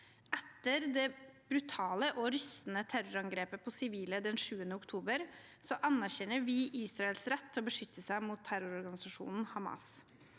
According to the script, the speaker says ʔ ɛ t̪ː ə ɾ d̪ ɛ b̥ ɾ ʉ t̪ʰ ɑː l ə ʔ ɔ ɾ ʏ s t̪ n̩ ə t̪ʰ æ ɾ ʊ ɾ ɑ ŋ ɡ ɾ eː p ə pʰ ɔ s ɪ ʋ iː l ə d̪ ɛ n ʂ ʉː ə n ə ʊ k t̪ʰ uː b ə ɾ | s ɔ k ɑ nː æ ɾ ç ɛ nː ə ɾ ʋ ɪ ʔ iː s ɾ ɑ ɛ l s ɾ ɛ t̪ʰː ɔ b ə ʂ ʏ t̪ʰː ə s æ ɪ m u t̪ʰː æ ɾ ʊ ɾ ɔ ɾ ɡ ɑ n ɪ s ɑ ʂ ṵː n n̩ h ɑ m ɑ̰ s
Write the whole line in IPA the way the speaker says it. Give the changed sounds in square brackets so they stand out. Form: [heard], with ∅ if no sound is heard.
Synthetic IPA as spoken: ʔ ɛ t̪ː ə ɾ d̪ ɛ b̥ ɾ ʉ t̪ʰ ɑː l ə ʔ ɔ ɾ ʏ s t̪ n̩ ə t̪ʰ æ ɾ ʊ ɾ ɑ ŋ ɡ ɾ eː p ə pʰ ɔ s ɪ ʋ iː l ə d̪ ɛ n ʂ ʉː ə n ə ʊ k t̪ʰ uː b ə ɾ | s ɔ [ʔ] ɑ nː æ ɾ ç ɛ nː ə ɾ ʋ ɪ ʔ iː s ɾ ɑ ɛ l s ɾ ɛ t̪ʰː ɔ b ə ʂ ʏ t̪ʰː ə s æ ɪ m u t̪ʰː æ ɾ ʊ ɾ ɔ ɾ ɡ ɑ n ɪ s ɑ ʂ ṵː n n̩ h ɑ m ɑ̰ s

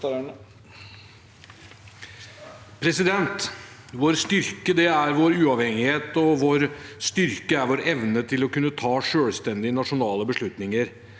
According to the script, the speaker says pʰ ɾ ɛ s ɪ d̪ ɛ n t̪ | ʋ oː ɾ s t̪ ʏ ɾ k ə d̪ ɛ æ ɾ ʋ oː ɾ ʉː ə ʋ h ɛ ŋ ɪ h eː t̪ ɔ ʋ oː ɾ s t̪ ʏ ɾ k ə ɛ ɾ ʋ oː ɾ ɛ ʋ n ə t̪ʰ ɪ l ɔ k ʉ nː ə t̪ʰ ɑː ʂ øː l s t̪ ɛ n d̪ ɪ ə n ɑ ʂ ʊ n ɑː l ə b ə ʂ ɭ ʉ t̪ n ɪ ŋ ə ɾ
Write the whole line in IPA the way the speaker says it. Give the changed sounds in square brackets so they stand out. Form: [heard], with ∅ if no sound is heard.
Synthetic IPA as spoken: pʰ ɾ ɛ s ɪ d̪ ɛ n t̪ | ʋ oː ɾ s t̪ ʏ ɾ k ə d̪ ɛ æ ɾ ʋ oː ɾ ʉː [ɑ] ʋ h ɛ ŋ ɪ h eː t̪ ɔ ʋ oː ɾ s t̪ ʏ ɾ k ə [æ] ɾ ʋ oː ɾ ɛ ʋ n ə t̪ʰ ɪ l ɔ k ʉ nː ə t̪ʰ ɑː ʂ øː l s t̪ ɛ n d̪ ɪ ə n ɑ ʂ ʊ n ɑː l ə b ə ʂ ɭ ʉ t̪ n ɪ ŋ ə ɾ

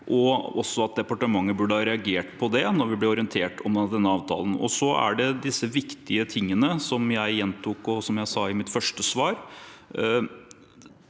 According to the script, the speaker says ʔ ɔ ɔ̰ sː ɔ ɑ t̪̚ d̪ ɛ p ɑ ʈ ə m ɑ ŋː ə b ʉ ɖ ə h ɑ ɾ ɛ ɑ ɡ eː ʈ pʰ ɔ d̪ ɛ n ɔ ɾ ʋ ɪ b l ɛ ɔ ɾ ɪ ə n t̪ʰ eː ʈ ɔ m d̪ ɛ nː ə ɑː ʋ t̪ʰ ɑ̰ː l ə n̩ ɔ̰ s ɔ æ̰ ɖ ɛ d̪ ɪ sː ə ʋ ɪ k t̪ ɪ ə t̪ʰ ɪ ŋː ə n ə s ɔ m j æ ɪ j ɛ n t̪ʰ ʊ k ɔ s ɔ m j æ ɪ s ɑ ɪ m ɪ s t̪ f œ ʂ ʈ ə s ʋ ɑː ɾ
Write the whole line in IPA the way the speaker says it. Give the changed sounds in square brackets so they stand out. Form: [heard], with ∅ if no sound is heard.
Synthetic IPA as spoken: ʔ ɔ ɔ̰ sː ɔ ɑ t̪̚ d̪ ɛ p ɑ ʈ ə m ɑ ŋː ə b ʉ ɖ ə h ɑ ɾ ɛ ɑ ɡ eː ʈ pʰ ɔ d̪ ɛ n ɔ ɾ ʋ ɪ b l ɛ ɔ ɾ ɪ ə n t̪ʰ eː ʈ ɔ m d̪ ɛ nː ə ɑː ʋ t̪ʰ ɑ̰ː l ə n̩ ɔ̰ s ɔ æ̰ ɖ ɛ d̪ ɪ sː ə ʋ ɪ k t̪ ɪ ə t̪ʰ ɪ ŋː ə n ə s ɔ m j æ ɪ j ɛ n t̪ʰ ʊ k ɔ s ɔ m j æ ɪ s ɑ ɪ m ɪ [∅] t̪ f œ ʂ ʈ ə s ʋ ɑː ɾ

